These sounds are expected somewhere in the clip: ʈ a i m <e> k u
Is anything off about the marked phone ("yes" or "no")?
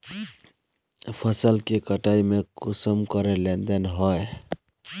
no